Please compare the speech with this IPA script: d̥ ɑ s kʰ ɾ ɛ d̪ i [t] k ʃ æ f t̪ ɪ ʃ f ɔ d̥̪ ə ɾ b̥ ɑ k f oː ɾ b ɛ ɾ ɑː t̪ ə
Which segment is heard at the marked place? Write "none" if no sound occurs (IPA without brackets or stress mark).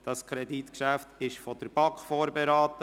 t